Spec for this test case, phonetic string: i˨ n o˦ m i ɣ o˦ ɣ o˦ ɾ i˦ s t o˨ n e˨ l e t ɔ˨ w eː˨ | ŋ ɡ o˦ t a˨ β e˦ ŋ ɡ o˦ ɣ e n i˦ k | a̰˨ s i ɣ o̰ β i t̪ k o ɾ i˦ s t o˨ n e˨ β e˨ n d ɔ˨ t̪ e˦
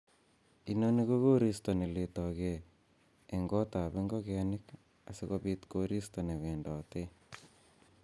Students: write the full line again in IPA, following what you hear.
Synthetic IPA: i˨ n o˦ n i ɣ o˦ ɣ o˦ ɾ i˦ s t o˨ n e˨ l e t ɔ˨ ɣ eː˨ | ŋ ɡ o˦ t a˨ β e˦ ŋ ɡ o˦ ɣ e n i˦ k | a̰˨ s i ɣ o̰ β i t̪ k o ɾ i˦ s t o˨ n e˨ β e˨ n d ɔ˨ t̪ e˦